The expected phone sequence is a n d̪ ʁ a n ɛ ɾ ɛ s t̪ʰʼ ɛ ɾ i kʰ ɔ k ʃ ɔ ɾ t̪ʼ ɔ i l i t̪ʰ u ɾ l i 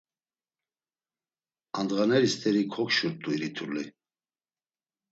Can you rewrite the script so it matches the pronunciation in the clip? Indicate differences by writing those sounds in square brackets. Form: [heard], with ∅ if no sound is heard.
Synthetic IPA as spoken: a n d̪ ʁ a n ɛ ɾ [i] s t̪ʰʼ ɛ ɾ i kʰ ɔ k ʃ [u] ɾ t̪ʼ [u] i [ɾ] i t̪ʰ u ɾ l i